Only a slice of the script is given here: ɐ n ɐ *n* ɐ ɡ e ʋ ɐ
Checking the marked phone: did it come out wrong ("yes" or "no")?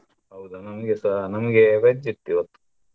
yes